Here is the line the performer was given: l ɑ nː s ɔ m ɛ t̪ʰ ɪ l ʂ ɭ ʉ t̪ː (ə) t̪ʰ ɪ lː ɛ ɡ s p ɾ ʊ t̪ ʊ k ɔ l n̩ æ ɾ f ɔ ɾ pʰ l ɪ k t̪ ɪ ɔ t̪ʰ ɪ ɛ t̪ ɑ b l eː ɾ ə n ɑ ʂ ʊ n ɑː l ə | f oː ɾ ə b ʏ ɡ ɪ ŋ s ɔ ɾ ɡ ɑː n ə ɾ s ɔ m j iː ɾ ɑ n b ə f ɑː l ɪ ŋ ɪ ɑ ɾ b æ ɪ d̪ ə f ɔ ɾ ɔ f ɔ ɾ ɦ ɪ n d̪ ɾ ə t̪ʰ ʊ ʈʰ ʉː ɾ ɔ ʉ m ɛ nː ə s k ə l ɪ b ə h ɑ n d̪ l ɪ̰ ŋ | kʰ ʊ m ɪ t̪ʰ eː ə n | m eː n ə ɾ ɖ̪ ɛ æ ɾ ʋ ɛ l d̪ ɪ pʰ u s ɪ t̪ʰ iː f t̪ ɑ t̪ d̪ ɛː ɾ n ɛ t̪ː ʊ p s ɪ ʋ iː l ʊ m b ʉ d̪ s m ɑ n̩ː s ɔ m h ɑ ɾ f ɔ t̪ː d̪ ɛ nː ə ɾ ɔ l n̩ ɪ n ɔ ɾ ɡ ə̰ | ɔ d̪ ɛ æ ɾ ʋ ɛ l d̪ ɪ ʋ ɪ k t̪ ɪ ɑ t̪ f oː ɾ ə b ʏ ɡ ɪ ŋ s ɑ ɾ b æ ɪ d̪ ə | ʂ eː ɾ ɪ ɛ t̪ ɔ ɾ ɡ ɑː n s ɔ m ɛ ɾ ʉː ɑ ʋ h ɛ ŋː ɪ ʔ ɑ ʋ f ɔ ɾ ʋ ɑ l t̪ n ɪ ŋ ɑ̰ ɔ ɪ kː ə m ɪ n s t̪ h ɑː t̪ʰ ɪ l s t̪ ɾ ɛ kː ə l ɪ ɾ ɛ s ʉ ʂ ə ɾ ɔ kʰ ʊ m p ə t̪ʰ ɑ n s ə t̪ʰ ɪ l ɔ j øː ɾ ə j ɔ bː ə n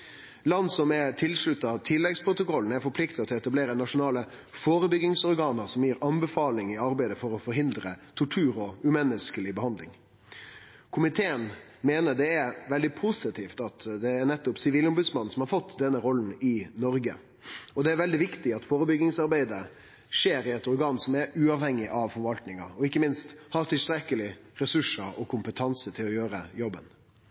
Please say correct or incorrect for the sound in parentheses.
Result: incorrect